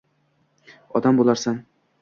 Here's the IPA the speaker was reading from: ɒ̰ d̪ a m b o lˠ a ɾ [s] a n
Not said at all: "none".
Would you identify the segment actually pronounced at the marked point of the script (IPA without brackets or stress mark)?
s